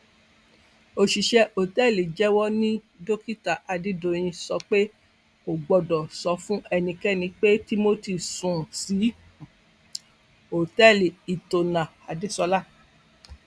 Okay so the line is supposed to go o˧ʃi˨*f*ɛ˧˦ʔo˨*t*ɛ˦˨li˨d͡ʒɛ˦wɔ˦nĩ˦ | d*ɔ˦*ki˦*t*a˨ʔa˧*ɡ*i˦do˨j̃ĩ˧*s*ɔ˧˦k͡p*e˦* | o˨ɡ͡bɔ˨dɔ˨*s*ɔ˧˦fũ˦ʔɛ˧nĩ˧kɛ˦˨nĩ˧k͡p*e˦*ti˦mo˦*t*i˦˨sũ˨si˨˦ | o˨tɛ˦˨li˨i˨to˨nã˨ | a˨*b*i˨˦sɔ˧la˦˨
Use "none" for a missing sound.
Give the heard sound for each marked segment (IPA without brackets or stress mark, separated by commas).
ʃ, t, o˦, t, d, s, e˦, s, e˦, t, d